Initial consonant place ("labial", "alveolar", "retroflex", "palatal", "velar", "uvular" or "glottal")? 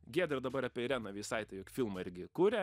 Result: velar